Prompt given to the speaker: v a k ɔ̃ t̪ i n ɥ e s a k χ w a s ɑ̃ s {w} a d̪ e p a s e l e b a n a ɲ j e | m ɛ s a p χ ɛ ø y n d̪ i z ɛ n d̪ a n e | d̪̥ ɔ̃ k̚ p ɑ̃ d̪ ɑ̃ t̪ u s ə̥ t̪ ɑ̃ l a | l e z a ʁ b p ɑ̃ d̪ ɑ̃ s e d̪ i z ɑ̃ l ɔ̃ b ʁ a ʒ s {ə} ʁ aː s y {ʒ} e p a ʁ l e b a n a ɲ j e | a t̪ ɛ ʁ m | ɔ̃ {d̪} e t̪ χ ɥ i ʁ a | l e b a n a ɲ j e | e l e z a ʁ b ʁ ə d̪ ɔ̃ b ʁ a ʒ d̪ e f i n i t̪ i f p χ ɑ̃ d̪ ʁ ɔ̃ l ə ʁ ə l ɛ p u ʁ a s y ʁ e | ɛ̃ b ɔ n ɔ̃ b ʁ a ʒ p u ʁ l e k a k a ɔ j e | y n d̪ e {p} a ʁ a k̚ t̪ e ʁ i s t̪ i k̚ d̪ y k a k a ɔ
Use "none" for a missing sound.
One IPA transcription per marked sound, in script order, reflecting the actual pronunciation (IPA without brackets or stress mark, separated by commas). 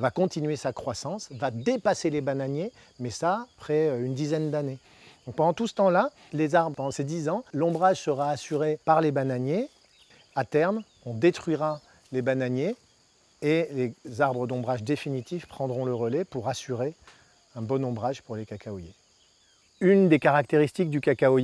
v, ə, ʁ, d̪, k